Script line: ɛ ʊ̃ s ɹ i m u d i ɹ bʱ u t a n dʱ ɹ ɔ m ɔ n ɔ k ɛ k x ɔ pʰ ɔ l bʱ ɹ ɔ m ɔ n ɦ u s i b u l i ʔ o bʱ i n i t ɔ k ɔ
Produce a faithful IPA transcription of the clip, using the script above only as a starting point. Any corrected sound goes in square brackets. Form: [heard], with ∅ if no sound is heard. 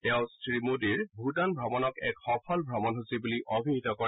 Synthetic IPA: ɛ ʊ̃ s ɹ i m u d i ɹ bʱ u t a n [bʱ] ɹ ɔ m ɔ n ɔ k ɛ k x ɔ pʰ ɔ l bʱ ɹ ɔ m ɔ n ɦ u s i b u l i ʔ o bʱ i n i t ɔ k ɔ